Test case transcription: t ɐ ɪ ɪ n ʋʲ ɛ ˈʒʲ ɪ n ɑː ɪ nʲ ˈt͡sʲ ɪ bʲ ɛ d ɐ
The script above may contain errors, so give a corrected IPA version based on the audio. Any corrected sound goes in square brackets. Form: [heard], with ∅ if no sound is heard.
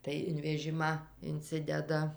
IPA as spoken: t ɐ ɪ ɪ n ʋʲ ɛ ˈʒʲ ɪ [m] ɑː ɪ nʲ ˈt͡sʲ ɪ [dʲ] ɛ d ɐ